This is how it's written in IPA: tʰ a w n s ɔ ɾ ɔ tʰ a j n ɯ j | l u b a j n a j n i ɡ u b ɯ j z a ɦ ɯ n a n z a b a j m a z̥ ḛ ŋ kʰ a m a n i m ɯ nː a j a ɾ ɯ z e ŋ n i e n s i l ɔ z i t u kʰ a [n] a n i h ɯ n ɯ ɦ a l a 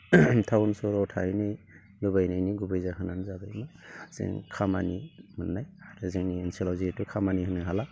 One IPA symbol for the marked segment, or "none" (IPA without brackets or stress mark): m